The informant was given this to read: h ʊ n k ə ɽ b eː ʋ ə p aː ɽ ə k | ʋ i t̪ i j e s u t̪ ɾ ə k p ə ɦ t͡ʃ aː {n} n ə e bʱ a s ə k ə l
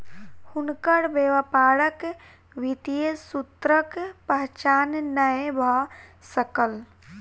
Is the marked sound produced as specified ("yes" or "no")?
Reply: yes